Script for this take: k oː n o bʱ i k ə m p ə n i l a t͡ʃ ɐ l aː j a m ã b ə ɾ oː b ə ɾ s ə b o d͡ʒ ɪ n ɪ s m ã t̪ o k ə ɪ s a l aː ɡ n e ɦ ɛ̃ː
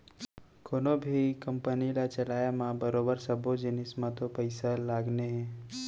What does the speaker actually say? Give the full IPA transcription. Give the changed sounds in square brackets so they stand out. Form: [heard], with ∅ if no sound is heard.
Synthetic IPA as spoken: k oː n o bʱ i k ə m p ə n i l a t͡ʃ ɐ l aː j a m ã b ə ɾ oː b ə ɾ s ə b o d͡ʒ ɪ n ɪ s m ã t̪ o [p] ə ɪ s a l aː ɡ n e ɦ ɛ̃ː